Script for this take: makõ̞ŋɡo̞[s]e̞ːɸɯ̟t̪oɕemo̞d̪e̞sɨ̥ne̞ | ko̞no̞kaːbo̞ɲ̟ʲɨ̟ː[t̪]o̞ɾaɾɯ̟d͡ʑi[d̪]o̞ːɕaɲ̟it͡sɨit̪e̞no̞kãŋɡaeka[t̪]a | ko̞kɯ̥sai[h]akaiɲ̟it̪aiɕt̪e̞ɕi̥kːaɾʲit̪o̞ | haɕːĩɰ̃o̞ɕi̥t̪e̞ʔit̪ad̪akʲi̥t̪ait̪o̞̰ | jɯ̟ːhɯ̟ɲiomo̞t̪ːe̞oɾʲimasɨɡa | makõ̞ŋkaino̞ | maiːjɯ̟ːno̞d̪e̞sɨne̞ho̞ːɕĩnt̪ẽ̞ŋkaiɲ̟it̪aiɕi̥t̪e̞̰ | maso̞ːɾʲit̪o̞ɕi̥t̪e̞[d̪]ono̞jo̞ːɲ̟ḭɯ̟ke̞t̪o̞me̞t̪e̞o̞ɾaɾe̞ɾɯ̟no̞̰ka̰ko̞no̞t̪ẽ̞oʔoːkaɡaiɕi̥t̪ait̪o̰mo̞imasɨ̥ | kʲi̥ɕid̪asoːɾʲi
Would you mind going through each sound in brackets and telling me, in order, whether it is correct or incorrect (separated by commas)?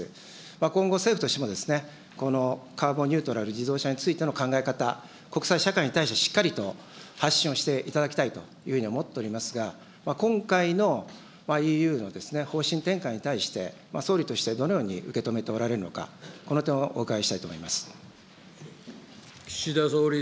correct, correct, correct, correct, incorrect, correct